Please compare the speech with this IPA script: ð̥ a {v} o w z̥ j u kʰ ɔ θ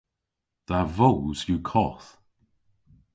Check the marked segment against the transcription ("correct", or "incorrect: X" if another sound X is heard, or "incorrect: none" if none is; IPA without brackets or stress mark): correct